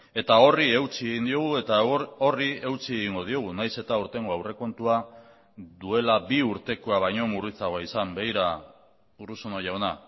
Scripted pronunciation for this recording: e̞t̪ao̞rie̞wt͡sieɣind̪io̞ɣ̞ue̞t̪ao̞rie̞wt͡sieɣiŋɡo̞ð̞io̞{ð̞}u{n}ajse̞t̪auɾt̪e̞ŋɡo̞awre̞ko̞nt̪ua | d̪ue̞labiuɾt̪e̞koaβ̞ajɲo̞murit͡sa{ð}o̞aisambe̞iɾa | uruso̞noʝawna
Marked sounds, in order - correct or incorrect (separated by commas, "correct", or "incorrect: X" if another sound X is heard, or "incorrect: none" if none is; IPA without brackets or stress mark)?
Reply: incorrect: ɣ̞, correct, incorrect: ɣ